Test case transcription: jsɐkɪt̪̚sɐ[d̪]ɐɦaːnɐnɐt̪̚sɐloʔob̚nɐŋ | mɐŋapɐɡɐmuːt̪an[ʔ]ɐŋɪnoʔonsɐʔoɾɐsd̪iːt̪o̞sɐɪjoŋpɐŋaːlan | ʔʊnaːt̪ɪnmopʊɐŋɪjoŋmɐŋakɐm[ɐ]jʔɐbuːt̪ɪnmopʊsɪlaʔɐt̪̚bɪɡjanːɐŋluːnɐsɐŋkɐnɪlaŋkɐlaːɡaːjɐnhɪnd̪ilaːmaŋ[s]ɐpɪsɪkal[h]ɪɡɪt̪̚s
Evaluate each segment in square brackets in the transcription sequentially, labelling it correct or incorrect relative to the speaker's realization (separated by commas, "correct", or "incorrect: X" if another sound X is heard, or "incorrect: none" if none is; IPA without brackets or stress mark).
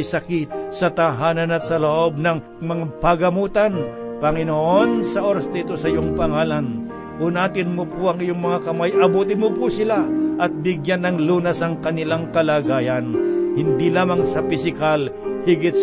incorrect: t̪, incorrect: p, incorrect: a, correct, correct